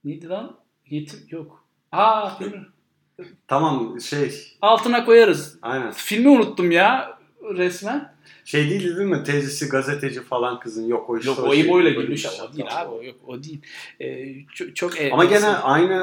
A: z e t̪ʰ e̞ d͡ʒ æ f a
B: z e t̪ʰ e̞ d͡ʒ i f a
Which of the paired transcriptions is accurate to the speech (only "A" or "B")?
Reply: B